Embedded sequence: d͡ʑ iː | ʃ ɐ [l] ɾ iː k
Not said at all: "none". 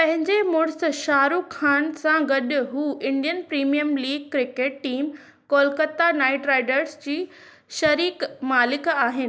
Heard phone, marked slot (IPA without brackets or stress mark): none